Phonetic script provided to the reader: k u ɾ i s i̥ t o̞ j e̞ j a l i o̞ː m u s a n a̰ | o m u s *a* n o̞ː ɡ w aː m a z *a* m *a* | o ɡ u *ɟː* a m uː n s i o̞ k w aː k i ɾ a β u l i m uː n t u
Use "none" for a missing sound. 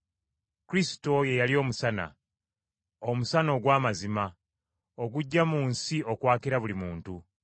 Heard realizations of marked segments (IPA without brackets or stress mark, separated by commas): a, i, a, ɟː